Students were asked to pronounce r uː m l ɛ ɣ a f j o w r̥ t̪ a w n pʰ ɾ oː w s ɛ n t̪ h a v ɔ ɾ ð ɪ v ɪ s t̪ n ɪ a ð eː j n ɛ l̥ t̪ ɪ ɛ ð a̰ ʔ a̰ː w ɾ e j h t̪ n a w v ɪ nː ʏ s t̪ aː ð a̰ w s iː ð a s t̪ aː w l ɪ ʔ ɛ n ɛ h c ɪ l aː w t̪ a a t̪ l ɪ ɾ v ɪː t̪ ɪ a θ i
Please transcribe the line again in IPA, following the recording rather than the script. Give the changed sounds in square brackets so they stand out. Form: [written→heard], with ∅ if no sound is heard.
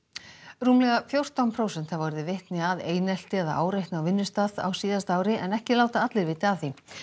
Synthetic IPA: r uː m l ɛ ɣ a f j o w r̥ t̪ a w n pʰ ɾ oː w s ɛ n t̪ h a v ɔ ɾ ð ɪ v ɪ [s→h] t̪ n ɪ a ð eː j n ɛ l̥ t̪ ɪ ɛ ð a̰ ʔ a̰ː w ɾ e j h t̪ n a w v ɪ nː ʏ s t̪ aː ð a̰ w s iː ð a s t̪ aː w [l→ɾ] ɪ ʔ ɛ n ɛ h c ɪ l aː w t̪ a a t̪ l ɪ ɾ v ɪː t̪ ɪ a θ i

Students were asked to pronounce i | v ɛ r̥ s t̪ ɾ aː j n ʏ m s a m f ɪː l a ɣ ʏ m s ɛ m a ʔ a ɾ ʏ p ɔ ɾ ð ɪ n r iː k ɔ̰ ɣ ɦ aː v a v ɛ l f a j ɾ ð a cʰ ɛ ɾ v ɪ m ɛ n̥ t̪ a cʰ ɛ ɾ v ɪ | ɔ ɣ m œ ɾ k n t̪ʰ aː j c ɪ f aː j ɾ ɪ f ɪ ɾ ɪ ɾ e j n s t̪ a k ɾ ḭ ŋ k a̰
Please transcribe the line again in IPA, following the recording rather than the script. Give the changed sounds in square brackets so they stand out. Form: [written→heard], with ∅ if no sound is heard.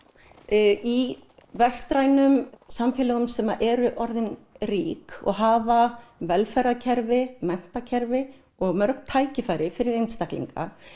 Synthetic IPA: i | v ɛ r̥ s t̪ ɾ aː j n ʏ m s a m f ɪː l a ɣ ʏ m s ɛ m a ʔ [a→ɛ] ɾ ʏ [p→ʔ] ɔ ɾ ð ɪ n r iː k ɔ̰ ɣ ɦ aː v a v ɛ l f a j ɾ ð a cʰ ɛ ɾ v ɪ m ɛ n̥ t̪ a cʰ ɛ ɾ v ɪ | ɔ ɣ m œ ɾ k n t̪ʰ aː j c ɪ f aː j ɾ ɪ f ɪ ɾ ɪ ɾ e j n s t̪ a k [ɾ→l] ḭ ŋ k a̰

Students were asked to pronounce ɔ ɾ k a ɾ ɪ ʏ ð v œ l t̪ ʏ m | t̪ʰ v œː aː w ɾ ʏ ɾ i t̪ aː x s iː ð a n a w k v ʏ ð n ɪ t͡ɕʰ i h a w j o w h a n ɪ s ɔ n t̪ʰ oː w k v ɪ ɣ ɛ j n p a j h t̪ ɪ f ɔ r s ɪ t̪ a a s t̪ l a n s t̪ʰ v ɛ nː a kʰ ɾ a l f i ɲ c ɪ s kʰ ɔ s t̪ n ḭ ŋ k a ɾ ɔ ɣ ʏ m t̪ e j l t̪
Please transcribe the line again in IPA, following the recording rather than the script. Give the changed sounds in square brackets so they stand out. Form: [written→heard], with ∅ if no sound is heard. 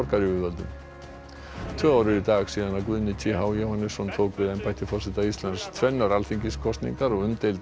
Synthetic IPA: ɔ ɾ k a ɾ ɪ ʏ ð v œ l t̪ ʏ m | t̪ʰ v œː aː w ɾ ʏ ɾ i t̪ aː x s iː ð a n a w k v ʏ ð n ɪ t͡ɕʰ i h a w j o w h a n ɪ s ɔ n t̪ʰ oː w k v ɪ [ɣ→ð] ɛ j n p a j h t̪ ɪ f ɔ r s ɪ t̪ a [a→i] s t̪ l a n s t̪ʰ v ɛ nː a [kʰ→∅] ɾ a l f i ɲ c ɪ s kʰ ɔ s t̪ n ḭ ŋ k a ɾ ɔ ɣ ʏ m t̪ e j l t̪

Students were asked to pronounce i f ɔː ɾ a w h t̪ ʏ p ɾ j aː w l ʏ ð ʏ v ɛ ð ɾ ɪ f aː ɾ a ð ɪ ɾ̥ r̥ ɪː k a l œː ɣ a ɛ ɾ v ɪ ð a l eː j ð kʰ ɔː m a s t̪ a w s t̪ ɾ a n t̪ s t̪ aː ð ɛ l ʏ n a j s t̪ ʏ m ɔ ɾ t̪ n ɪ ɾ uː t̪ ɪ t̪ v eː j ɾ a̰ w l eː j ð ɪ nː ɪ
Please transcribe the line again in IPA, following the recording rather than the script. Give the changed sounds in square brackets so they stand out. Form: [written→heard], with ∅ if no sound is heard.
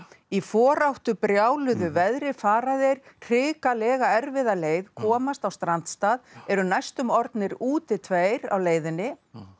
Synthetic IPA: i f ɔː ɾ a w h t̪ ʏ p ɾ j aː w l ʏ ð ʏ v ɛ ð ɾ ɪ f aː ɾ a ð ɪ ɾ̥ r̥ ɪː k a l [œː→ɛː] ɣ a ɛ ɾ v ɪ ð a l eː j ð kʰ ɔː m a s t̪ a w s t̪ ɾ a n t̪ s t̪ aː ð ɛ [l→ɾ] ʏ n a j s t̪ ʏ m ɔ ɾ t̪ n ɪ ɾ uː t̪ ɪ [t̪→t̪ʰ] v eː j ɾ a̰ w l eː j ð ɪ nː ɪ

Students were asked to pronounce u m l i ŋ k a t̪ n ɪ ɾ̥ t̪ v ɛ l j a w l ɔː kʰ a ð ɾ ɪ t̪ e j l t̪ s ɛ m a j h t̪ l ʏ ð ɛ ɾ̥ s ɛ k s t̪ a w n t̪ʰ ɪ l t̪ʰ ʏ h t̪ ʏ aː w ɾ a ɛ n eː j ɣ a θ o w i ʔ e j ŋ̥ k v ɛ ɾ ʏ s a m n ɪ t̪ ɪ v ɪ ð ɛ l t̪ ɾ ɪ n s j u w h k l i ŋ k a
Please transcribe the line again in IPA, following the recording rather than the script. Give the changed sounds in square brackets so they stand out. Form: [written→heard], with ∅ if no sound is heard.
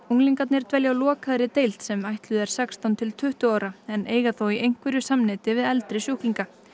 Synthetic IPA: u [m→ŋ] l i ŋ k a t̪ n ɪ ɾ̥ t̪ v ɛ l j a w l ɔː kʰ a ð ɾ ɪ t̪ e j l t̪ s ɛ m a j h t̪ l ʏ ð ɛ ɾ̥ s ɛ k s t̪ a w n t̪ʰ ɪ l t̪ʰ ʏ h t̪ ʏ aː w ɾ a ɛ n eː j ɣ a θ o w i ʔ e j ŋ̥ k v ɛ ɾ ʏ s a m n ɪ t̪ ɪ v ɪ ð ɛ l t̪ ɾ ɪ [n→∅] s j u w h k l i ŋ k a

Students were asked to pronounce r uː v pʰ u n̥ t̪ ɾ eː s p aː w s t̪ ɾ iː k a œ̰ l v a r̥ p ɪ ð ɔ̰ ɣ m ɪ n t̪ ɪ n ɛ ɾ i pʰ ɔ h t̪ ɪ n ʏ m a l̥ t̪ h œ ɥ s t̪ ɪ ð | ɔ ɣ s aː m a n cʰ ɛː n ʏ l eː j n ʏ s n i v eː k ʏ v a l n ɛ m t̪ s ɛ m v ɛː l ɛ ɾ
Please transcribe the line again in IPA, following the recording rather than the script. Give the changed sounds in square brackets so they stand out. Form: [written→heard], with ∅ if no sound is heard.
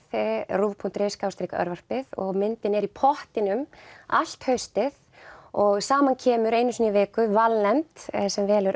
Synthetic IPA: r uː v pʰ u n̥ t̪ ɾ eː s [p→k] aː w s t̪ ɾ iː k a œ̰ [l→ɾ] v a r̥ p ɪ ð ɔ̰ ɣ m ɪ n t̪ ɪ n ɛ ɾ i pʰ ɔ h t̪ ɪ n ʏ m a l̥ t̪ h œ ɥ s t̪ ɪ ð | ɔ ɣ s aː m a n cʰ ɛː [n→m] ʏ [l→ɾ] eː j n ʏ s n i v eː k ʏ v a l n ɛ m t̪ s ɛ m v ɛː l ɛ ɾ

